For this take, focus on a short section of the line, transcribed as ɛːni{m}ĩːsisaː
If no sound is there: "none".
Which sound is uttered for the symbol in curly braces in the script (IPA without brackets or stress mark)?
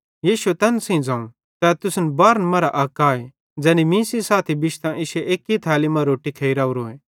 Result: m